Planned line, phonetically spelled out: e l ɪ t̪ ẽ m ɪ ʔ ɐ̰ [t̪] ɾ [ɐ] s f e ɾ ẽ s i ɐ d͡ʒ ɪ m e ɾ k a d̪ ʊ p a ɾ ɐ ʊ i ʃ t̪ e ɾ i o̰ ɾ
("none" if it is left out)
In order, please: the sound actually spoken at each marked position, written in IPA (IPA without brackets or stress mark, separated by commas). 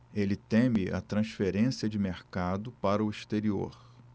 t̪, ɐ̃